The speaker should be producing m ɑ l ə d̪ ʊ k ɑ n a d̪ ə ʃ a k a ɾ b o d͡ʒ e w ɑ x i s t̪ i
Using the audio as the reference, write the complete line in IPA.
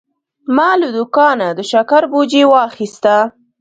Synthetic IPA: m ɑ l ə d̪ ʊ k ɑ n a d̪ ə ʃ a k a ɾ b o d͡ʒ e w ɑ x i s t̪ a